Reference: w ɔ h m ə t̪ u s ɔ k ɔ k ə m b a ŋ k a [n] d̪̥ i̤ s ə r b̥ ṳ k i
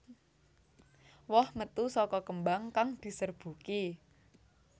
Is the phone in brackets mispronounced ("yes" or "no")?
yes